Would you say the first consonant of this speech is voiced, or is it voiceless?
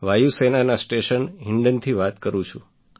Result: voiced